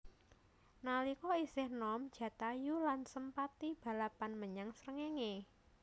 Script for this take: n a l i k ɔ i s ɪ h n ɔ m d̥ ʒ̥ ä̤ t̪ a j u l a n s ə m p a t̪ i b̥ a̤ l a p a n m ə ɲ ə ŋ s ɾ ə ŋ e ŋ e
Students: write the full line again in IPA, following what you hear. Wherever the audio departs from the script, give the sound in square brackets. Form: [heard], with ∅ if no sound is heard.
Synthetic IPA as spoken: n a l i k ɔ i s ɪ h n ɔ m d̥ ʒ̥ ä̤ t̪ a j u l a n s ə m p a t̪ i b̥ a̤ l a p a n m ə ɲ [a] ŋ s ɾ ə ŋ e ŋ e